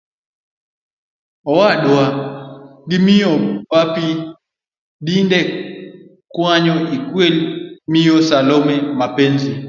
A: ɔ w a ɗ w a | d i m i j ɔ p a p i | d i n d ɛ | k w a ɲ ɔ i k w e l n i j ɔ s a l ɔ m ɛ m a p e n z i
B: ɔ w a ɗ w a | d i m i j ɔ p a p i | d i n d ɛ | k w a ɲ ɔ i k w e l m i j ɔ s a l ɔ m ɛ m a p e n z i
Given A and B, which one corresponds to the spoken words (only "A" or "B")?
B